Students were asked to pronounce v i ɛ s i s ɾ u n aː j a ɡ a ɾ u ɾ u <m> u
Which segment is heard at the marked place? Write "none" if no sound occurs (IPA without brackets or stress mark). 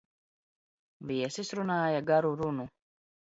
n